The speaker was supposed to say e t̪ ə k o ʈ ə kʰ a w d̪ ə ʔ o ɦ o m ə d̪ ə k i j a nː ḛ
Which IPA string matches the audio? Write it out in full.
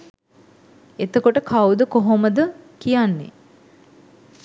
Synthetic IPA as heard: e t̪ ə k o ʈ ə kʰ a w d̪ ə k o ɦ o m ə d̪ ə k i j a nː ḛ